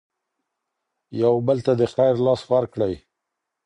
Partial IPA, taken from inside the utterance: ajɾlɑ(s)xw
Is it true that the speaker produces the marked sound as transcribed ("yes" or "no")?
yes